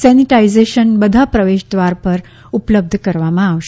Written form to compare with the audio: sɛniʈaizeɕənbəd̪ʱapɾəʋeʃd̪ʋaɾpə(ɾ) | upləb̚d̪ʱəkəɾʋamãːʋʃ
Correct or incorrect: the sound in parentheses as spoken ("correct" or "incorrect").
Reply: correct